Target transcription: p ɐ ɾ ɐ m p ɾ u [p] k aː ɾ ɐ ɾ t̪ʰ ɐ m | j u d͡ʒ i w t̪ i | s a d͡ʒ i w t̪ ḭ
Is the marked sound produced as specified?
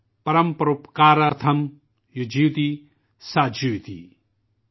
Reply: yes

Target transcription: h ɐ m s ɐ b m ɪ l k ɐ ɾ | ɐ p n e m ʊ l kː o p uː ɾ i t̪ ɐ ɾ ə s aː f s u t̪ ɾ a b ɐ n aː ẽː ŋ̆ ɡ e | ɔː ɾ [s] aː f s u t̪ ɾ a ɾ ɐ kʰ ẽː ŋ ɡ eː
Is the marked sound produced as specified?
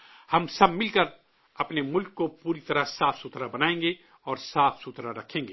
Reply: yes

